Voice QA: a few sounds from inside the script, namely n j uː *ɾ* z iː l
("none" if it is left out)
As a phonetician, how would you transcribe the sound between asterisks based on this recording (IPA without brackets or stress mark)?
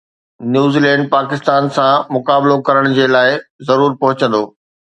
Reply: none